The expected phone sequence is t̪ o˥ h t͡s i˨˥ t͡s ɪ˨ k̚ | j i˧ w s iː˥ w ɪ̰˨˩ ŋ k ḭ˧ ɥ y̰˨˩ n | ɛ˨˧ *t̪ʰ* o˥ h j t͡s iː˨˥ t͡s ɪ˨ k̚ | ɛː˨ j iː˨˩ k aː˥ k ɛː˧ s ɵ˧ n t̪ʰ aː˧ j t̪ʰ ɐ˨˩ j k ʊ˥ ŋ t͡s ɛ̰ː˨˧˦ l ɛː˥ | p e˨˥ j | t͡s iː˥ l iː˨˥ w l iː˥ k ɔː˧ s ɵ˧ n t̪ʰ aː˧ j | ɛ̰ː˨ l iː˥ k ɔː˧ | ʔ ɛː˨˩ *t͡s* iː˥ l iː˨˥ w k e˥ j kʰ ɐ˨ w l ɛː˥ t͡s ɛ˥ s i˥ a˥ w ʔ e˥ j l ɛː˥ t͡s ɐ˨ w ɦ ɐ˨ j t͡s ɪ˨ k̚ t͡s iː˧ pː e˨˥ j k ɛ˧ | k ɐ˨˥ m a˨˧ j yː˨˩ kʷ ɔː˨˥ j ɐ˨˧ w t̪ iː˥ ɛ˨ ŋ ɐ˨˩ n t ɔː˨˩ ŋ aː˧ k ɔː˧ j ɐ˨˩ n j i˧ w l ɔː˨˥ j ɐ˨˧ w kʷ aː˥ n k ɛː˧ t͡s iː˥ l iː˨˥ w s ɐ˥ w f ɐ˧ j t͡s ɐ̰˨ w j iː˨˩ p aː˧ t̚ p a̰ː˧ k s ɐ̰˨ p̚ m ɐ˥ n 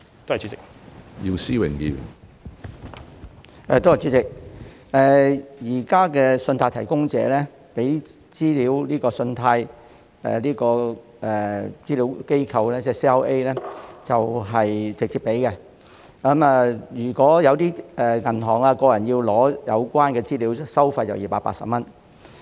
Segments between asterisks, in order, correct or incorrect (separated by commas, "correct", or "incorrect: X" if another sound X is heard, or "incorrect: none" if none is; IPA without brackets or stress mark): incorrect: t̪, correct